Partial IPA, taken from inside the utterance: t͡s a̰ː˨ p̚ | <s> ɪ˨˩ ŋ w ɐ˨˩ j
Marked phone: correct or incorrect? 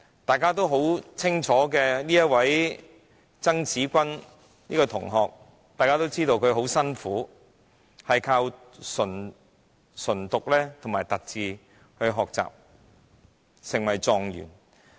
correct